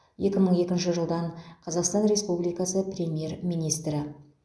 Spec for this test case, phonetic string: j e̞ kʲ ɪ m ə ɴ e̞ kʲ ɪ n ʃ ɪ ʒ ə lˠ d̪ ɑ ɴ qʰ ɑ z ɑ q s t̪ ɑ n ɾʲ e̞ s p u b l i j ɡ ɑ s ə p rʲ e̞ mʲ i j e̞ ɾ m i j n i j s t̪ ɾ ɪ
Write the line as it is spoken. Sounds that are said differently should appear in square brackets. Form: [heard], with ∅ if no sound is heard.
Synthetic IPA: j e̞ kʲ ɪ m ə ɴ e̞ kʲ ɪ n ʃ ɪ ʒ ə lˠ d̪ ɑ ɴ qʰ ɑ z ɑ q s t̪ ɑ n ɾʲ e̞ s p u b l i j [k] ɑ s ə p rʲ e̞ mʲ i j e̞ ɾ m i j n i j s t̪ ɾ ɪ